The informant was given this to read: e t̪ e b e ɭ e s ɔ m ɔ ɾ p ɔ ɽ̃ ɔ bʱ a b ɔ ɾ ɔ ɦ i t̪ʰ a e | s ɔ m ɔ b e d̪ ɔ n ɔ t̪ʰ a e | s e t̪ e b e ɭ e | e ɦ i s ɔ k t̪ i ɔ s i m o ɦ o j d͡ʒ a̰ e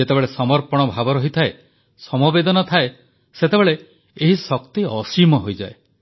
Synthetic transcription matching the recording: e t̪ e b e ɭ e s ɔ m ɔ ɾ p ɔ ɽ̃ ɔ bʱ a b ɔ ɾ ɔ ɦ i t̪ʰ a e | s ɔ m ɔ b e d̪ ɔ n ɔ t̪ʰ a e | s e t̪ e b e ɭ e | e ɦ i s ɔ k t̪ i ɔ s i m ɔ ɦ o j d͡ʒ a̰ e